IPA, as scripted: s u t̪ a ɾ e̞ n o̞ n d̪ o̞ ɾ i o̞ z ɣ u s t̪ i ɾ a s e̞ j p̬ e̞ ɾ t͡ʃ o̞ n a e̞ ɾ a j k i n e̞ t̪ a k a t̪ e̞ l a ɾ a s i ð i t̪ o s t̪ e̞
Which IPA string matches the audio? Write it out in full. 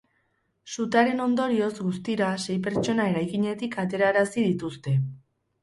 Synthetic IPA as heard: s u t̪ a ɾ e̞ n o̞ n d̪ o̞ ɾ i o̞ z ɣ u s t̪ i ɾ a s e̞ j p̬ e̞ ɾ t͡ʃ o̞ n a e̞ ɾ a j k i ɲ e̞ t̪ i k a t̪ e̞ ɾ a ɾ a s i ð i t̪ u s t̪ e̞